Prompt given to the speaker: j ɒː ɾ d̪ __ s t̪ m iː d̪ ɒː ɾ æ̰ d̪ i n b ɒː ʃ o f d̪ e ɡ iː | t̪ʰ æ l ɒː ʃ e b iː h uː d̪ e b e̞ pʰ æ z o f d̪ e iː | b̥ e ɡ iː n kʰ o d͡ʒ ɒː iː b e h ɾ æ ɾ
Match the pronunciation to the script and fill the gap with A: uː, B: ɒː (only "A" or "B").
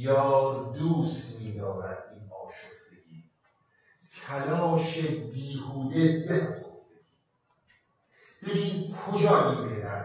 A